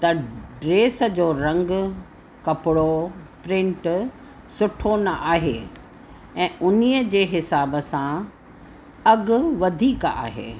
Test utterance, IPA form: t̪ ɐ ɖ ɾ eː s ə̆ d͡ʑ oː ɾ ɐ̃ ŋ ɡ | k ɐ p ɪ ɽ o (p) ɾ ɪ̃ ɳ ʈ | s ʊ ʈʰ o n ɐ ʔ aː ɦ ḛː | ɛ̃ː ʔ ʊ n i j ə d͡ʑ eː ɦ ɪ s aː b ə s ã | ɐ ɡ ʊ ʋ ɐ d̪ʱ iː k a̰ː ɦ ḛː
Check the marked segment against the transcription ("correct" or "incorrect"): correct